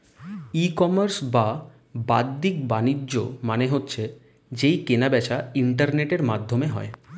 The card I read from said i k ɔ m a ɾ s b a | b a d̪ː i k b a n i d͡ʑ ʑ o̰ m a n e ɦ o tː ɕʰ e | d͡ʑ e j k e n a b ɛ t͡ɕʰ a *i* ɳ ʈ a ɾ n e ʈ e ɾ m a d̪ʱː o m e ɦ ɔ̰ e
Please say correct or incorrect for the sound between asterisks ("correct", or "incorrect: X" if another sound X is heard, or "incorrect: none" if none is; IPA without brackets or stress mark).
correct